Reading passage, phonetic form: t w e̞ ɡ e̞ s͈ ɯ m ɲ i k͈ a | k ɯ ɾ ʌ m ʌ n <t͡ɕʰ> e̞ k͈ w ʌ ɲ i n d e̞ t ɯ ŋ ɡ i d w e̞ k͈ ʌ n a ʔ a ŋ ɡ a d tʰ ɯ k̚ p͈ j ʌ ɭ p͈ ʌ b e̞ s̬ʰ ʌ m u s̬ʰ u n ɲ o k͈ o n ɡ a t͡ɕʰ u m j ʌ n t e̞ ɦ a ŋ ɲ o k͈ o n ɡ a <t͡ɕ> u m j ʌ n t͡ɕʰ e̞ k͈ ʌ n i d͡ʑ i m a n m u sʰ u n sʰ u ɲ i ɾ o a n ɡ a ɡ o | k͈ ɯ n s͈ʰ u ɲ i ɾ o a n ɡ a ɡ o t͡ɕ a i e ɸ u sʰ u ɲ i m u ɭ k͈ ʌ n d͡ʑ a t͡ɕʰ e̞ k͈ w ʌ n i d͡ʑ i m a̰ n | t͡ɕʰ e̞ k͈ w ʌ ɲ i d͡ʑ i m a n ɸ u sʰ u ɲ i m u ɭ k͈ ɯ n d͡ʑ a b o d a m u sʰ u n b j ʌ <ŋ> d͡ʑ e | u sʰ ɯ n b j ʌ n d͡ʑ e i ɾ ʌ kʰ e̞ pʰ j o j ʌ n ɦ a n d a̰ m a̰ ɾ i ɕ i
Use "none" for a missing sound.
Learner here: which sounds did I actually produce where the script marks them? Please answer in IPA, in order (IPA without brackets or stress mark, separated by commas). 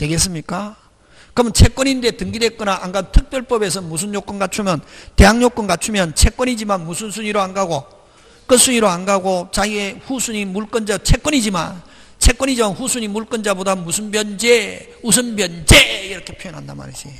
t͡ɕʰ, t͡ɕʰ, n